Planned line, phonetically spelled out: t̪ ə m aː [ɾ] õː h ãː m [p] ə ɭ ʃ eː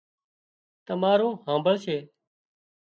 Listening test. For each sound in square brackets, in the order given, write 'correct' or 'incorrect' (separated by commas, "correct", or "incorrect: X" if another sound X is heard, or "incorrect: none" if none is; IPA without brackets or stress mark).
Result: correct, incorrect: b